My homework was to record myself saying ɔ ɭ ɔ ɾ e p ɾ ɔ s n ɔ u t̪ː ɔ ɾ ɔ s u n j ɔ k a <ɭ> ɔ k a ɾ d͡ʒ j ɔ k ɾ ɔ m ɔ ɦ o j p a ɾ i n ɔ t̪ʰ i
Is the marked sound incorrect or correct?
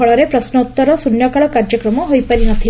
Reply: correct